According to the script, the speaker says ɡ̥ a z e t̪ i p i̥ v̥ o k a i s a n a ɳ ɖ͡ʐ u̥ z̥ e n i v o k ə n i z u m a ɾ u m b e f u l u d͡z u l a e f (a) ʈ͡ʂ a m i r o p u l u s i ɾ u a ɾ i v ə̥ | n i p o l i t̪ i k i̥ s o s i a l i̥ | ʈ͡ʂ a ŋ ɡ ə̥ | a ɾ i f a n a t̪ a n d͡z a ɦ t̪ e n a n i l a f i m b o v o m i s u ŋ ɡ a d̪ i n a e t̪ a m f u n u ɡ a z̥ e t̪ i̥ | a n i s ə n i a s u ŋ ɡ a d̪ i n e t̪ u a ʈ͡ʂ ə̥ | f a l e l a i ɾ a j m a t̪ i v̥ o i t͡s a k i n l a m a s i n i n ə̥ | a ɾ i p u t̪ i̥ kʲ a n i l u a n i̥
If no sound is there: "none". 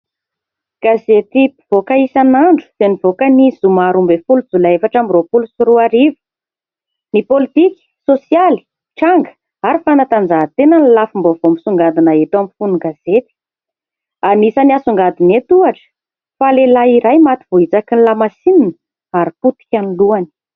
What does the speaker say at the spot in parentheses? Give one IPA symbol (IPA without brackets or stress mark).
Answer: a